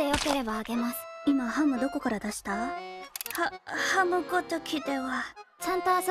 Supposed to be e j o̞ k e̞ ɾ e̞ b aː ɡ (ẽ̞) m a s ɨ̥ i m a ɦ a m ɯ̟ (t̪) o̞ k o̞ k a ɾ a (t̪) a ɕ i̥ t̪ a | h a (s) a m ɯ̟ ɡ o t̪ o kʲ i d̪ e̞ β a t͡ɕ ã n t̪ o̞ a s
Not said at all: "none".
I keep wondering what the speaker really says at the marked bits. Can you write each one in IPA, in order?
e̞, d̪, d̪, h

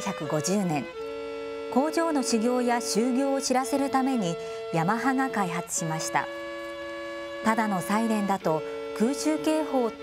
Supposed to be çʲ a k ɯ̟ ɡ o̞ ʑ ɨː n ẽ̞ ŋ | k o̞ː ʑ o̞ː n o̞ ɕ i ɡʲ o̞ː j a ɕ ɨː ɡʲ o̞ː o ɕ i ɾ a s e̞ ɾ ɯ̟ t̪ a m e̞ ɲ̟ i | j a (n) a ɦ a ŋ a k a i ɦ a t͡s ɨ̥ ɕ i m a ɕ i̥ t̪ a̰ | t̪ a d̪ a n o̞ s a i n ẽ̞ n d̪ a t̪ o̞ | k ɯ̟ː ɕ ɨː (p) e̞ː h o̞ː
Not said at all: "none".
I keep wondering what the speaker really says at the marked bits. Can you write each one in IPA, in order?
m, k

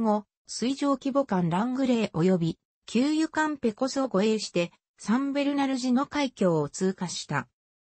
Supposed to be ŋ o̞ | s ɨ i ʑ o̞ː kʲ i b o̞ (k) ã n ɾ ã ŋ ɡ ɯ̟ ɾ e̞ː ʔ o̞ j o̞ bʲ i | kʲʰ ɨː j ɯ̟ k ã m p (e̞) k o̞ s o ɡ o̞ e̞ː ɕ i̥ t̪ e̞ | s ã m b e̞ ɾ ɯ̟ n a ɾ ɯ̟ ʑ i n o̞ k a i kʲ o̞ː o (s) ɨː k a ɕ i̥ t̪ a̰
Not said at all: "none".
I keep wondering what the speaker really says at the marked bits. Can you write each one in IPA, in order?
k, e̞, t͡s

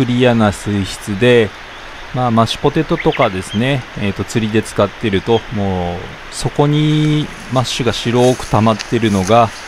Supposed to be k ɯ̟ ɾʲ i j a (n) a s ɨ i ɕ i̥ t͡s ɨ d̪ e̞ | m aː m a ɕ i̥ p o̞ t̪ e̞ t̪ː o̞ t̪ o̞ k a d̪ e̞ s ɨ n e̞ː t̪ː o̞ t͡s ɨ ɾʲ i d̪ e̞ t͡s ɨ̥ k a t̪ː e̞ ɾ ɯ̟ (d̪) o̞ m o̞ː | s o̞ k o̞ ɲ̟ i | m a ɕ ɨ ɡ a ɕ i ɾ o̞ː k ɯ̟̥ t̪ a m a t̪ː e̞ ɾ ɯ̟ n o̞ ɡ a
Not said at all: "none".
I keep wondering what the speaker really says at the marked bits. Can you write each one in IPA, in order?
n, t̪

